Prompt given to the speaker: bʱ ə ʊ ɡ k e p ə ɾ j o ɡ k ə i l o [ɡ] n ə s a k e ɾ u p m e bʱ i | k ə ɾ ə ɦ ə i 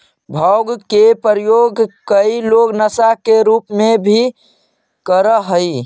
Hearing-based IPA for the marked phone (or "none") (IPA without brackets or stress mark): ɡ